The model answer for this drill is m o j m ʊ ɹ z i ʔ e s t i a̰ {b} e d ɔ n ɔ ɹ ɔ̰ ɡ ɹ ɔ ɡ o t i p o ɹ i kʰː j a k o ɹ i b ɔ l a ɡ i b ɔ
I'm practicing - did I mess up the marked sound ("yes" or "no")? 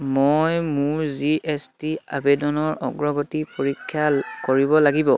no